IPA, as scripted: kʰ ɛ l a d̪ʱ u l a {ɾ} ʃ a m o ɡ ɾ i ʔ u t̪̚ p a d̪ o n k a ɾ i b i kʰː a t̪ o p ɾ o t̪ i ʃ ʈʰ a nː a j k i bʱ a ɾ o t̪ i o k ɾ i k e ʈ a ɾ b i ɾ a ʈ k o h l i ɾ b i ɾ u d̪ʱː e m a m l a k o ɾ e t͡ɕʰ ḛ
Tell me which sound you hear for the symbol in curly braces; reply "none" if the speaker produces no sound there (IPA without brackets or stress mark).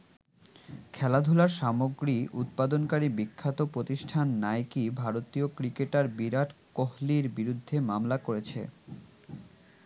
ɾ